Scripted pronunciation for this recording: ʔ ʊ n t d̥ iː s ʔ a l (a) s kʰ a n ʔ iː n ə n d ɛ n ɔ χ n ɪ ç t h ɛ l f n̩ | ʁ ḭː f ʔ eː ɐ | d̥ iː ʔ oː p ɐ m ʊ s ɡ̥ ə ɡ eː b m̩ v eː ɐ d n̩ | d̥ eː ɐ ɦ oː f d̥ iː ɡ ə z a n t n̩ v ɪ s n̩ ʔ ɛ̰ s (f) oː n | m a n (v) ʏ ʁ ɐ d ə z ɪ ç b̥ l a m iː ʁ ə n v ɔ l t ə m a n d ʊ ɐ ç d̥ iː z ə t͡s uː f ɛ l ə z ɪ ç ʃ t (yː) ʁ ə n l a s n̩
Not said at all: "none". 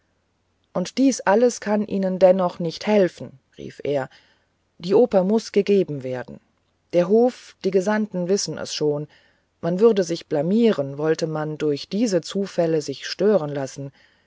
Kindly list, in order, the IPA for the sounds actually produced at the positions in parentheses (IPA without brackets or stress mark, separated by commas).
ə, ʃ, v, øː